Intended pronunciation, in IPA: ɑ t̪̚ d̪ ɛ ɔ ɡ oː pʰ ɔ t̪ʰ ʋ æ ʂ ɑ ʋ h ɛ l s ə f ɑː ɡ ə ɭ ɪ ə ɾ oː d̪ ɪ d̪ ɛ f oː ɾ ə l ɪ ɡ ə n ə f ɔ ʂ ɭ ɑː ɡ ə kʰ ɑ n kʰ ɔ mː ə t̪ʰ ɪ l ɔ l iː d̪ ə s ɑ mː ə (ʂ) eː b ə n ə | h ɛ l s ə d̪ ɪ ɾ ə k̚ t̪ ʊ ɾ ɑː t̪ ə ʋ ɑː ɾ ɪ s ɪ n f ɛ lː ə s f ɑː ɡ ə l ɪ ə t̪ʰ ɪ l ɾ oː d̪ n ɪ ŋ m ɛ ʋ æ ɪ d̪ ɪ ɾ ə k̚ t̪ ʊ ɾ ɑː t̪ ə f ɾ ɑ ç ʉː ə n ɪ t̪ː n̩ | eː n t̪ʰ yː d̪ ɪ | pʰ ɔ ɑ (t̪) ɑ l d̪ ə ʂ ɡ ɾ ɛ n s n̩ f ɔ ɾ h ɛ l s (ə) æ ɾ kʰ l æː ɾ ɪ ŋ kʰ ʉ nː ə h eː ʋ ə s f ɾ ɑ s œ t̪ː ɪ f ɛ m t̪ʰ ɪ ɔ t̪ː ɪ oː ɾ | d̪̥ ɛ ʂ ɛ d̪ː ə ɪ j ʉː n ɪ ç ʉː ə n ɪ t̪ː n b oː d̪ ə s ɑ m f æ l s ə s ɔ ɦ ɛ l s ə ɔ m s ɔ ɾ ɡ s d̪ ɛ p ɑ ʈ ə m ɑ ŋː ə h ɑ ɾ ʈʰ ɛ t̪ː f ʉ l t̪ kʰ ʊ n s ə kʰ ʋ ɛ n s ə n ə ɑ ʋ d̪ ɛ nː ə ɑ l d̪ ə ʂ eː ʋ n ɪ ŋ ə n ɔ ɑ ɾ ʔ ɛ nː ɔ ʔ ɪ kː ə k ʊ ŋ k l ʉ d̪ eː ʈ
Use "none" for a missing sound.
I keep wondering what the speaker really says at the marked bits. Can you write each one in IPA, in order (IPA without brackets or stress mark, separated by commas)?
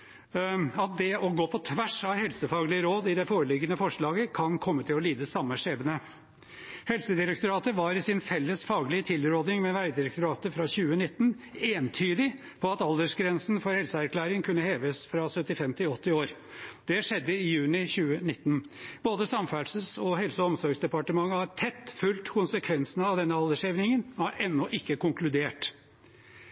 ʂ, t̪, ə